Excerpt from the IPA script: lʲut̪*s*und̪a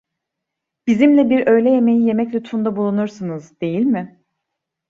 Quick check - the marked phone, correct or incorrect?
incorrect